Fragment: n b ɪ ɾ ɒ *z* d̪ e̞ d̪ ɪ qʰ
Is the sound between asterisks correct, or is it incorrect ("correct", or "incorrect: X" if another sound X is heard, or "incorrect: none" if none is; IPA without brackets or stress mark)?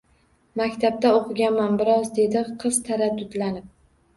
correct